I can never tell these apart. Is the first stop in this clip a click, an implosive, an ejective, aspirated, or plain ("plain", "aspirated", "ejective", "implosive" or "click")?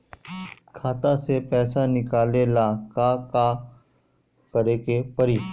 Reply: aspirated